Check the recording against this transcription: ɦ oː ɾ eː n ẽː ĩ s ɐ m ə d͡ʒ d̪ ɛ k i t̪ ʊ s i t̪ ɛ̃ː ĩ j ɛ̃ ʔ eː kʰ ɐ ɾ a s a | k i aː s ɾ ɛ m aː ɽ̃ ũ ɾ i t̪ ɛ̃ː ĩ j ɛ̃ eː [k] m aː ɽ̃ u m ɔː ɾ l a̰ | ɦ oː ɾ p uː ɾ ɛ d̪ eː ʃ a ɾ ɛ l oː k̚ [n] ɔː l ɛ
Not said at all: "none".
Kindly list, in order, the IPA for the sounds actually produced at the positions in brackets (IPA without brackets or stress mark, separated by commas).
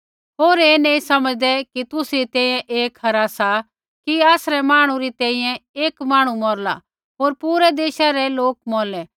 k, m